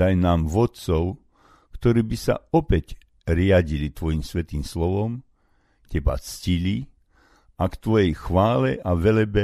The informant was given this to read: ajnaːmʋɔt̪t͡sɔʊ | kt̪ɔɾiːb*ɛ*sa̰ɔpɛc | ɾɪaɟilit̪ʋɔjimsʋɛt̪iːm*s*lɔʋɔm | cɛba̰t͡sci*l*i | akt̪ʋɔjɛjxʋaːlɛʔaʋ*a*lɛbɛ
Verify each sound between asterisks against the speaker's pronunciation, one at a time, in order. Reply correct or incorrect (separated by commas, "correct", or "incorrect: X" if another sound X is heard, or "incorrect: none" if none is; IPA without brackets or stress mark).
incorrect: i, correct, correct, incorrect: ɛ